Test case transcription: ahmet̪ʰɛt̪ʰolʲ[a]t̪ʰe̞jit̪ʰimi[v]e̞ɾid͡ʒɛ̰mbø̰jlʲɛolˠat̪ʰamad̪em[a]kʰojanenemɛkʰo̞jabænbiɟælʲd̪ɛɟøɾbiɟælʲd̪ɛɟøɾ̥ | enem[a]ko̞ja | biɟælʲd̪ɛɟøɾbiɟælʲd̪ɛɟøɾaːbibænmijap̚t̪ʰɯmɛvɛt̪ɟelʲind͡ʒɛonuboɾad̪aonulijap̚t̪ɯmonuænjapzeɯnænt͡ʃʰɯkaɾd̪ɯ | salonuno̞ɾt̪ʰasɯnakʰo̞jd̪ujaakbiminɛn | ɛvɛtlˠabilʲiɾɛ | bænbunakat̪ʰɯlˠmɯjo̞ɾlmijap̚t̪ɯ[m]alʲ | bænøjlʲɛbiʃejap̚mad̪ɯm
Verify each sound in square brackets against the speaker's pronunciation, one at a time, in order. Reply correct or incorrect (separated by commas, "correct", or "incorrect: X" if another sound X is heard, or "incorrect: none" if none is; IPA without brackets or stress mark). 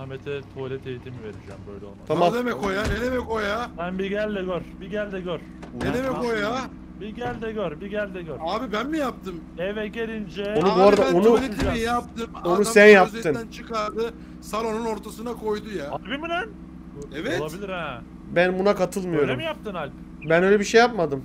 incorrect: ɛ, correct, incorrect: ɛ, incorrect: ɛ, incorrect: n